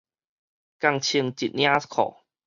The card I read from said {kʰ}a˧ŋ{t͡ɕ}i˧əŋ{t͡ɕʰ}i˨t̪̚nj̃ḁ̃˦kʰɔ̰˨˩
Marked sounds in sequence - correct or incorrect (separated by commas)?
incorrect, incorrect, incorrect